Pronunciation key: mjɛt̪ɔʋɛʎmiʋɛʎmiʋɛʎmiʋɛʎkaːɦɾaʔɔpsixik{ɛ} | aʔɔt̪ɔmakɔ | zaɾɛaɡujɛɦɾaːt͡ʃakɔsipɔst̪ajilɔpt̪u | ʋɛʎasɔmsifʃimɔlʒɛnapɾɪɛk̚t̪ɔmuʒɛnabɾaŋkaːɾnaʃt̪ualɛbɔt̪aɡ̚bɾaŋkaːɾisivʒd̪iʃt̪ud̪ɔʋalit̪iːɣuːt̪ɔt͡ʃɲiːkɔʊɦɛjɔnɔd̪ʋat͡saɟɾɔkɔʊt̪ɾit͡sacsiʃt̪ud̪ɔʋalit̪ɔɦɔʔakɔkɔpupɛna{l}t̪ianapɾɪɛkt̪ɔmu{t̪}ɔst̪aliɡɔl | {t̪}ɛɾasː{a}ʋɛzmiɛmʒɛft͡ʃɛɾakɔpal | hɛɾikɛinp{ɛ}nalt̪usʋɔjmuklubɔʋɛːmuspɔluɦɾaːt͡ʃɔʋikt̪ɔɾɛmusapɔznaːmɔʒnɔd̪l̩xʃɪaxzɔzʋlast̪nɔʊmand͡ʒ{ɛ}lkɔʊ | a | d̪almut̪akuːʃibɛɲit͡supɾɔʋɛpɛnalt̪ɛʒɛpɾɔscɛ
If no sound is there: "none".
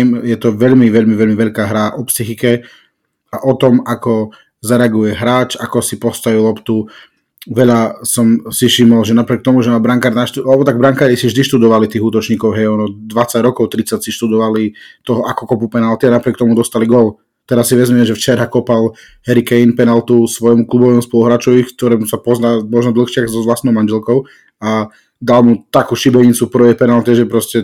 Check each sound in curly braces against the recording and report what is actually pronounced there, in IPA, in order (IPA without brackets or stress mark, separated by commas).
ɛ, l, d̪, t̪, i, ɛ, ɛ